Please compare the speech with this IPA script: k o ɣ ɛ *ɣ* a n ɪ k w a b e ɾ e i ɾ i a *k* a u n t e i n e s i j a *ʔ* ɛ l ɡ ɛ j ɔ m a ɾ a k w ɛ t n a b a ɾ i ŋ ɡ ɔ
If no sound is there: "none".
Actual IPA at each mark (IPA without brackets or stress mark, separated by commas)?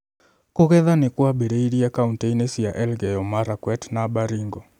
ð, k, ʔ